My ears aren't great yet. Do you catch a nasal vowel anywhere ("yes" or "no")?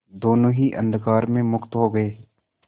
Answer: yes